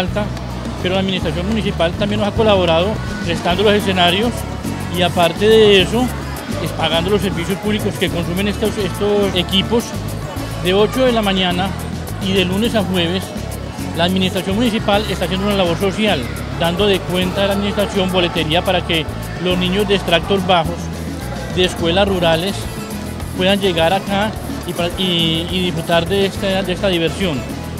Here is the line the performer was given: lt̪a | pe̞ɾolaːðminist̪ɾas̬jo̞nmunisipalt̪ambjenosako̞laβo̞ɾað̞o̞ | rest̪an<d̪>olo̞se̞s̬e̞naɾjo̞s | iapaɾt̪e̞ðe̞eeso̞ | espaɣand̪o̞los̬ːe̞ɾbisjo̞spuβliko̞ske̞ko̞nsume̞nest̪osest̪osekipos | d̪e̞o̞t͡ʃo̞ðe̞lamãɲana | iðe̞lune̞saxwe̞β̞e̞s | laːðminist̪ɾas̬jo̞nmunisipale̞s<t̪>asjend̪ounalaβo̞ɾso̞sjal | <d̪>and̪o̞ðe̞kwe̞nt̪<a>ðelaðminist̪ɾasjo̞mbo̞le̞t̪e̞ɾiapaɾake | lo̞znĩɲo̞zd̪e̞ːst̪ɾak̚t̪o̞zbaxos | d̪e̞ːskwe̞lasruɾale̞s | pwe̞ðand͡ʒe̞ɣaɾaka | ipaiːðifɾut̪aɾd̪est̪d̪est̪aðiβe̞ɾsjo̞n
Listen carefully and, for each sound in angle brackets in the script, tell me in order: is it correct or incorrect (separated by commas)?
correct, correct, correct, correct